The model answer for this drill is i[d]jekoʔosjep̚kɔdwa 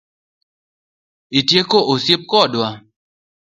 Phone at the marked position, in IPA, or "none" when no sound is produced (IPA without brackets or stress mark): t